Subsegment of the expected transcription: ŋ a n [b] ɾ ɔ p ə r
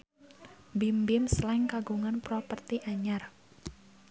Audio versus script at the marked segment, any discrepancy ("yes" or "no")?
yes